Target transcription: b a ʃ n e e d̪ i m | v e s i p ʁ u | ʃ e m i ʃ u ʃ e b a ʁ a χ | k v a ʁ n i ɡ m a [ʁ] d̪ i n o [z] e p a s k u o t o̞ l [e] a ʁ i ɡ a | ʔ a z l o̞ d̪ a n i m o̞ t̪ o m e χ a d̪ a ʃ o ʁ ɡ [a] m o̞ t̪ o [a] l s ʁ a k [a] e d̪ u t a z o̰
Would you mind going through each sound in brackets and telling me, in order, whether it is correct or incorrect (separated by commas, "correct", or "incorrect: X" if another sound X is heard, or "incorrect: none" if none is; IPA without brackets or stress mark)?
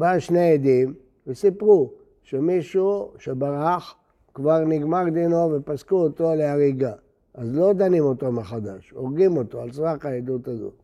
correct, incorrect: v, correct, incorrect: i, correct, correct